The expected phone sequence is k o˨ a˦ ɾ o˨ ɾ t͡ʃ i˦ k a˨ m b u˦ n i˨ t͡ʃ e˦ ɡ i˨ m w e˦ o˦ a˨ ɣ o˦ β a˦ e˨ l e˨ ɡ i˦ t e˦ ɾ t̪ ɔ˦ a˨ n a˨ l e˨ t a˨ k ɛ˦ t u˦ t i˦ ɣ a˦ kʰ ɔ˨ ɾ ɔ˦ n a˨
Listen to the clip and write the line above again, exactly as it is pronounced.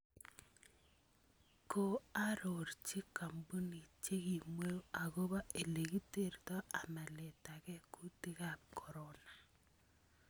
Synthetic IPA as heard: k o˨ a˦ ɾ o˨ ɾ t͡ʃ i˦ k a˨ m b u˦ n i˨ t͡ʃ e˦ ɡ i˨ m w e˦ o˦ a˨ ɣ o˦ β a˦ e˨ l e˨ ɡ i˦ t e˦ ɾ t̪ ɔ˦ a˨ m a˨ l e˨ t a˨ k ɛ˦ k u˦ t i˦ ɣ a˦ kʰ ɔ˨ ɾ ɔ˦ n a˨